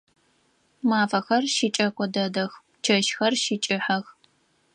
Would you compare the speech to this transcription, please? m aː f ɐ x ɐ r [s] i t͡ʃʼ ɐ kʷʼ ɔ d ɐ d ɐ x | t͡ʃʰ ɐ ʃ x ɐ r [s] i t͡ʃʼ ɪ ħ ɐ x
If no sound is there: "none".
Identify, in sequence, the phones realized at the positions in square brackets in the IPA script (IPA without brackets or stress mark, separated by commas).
ʃ, ʃ